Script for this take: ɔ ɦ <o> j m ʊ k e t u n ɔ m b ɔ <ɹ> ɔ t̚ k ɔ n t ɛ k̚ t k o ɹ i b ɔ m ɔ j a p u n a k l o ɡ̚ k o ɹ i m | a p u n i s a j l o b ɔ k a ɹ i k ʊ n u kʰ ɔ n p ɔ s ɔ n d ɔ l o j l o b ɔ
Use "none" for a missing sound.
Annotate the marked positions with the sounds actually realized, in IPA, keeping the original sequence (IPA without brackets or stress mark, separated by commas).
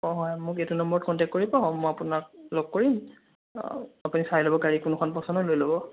ɔ, ɹ